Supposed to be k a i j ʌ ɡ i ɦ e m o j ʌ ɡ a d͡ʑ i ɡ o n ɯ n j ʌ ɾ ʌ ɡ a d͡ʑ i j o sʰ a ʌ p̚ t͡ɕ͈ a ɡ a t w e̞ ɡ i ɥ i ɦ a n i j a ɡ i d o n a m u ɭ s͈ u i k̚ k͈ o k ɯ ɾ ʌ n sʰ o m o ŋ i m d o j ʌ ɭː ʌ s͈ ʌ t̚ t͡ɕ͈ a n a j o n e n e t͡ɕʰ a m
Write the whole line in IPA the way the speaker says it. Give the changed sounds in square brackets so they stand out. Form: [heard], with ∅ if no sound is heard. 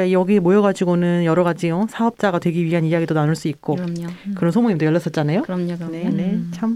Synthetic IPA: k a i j ʌ ɡ i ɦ e m o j ʌ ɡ a d͡ʑ i ɡ o n ɯ n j ʌ ɾ ʌ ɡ a d͡ʑ i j o sʰ a ʌ p̚ t͡ɕ͈ a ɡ a t w e̞ ɡ i ɥ i ɦ a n i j a ɡ i d o n a [n] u ɭ s͈ u i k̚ k͈ o k ɯ ɾ ʌ n sʰ o m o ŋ i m d o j ʌ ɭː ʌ s͈ ʌ t̚ t͡ɕ͈ a n a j o n e n e t͡ɕʰ a m